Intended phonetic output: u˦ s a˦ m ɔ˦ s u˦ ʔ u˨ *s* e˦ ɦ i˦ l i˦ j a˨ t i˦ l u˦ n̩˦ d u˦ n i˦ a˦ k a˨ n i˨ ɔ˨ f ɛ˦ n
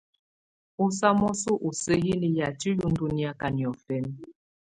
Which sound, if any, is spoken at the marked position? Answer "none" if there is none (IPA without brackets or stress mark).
s